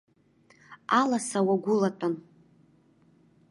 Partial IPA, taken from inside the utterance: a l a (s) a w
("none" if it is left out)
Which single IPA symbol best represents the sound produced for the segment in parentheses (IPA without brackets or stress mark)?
s